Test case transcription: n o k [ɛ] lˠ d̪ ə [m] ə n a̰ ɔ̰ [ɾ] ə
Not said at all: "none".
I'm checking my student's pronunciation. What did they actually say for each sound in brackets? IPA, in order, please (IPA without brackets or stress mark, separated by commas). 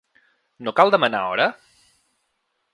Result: a, m, ɾ